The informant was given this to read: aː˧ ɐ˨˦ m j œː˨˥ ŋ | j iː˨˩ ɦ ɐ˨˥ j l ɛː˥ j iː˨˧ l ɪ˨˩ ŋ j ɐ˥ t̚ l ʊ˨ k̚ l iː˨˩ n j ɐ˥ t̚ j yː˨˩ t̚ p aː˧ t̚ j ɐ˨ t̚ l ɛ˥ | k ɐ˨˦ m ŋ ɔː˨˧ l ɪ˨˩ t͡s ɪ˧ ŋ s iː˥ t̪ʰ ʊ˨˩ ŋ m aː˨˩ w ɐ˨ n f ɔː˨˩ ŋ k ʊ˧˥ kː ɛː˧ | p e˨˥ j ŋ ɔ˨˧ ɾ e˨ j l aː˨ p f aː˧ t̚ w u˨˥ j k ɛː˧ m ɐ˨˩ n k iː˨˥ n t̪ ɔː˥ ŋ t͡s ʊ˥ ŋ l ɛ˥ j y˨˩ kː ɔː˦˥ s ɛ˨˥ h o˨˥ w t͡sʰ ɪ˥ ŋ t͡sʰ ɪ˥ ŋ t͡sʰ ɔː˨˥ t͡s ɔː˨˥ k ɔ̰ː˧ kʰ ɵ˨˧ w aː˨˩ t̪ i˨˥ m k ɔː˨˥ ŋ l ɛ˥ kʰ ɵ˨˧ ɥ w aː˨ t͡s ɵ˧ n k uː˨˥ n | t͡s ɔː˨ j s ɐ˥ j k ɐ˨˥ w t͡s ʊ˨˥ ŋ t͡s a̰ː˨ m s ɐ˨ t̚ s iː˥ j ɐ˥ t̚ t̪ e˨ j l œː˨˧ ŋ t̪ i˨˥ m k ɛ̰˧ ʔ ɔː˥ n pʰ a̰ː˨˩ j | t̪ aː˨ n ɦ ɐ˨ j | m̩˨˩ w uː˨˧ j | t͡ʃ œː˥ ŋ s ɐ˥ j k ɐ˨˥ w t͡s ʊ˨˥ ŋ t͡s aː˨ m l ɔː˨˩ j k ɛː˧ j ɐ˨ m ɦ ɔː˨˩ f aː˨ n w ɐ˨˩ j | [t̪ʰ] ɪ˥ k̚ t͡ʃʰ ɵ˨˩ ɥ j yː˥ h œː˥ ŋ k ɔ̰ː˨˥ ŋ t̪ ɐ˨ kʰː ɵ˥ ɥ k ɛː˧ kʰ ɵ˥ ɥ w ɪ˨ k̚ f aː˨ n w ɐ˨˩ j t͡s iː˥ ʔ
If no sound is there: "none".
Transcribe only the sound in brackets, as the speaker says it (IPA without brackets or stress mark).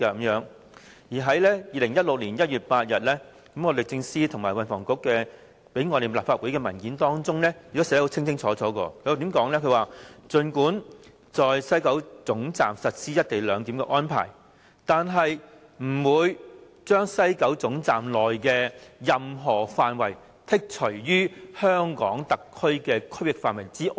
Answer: t̪ʰ